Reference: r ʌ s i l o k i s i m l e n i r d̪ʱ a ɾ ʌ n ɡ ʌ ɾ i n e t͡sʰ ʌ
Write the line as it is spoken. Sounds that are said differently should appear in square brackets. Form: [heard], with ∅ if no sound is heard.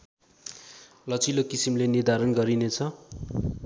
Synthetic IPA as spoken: [l] ʌ [t͡s] i l o k i s i m l e n i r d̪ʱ a ɾ ʌ n ɡ ʌ ɾ i n e t͡sʰ ʌ